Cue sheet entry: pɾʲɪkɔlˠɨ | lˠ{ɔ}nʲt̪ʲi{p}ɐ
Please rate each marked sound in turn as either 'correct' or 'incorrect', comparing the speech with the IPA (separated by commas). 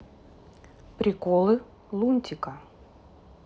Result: incorrect, incorrect